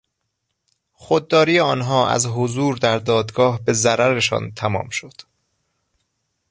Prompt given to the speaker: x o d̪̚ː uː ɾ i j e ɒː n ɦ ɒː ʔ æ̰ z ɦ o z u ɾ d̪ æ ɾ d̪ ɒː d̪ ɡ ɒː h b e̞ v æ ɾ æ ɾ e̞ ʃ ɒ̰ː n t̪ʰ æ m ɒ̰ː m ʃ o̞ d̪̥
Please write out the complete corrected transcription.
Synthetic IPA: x o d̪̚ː ɒː ɾ i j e ɒː n ɦ ɒː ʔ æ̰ z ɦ o z uː ɾ d̪ æ ɾ d̪ ɒː d̪ ɡ ɒː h b e̞ z æ ɾ æ ɾ e̞ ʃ ɒ̰ː n t̪ʰ æ m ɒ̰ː m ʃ o̞ d̪̥